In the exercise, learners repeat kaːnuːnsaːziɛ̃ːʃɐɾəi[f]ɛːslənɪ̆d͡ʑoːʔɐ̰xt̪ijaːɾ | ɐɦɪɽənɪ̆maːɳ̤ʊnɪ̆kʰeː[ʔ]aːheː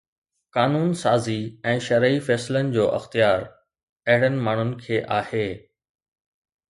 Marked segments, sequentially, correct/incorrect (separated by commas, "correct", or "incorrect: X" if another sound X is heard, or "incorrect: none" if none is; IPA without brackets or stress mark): correct, correct